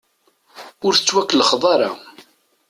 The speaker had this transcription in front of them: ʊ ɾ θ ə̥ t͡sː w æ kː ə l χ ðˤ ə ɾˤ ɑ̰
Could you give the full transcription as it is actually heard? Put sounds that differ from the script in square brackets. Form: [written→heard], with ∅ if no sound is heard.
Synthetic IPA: ʊ ɾ θ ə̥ t͡sː w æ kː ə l χ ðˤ [ə→ɑ] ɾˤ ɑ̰